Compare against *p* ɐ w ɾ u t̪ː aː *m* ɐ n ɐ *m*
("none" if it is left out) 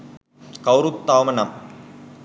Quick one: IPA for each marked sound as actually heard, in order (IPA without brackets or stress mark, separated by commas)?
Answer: k, m, m